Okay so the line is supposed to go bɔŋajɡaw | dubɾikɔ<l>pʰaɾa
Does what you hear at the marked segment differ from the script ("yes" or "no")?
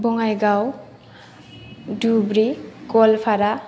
no